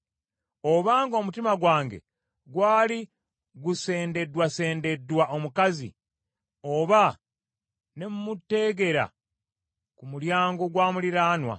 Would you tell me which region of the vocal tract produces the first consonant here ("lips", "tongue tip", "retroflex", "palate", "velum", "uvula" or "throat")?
lips